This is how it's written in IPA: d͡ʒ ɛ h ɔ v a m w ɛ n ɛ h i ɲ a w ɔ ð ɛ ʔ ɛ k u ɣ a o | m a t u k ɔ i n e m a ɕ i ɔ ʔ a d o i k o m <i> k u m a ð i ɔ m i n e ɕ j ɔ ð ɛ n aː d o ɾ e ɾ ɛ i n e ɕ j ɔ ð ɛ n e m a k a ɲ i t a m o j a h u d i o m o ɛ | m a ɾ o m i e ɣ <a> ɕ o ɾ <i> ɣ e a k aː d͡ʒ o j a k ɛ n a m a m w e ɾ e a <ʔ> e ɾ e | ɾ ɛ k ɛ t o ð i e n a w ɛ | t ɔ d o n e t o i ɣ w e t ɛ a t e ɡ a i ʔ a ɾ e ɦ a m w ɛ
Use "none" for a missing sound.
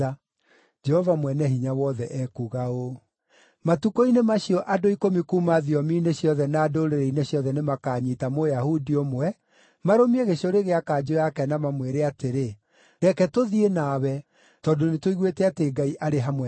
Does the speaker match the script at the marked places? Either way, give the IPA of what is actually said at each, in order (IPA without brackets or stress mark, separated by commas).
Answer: i, e, e, t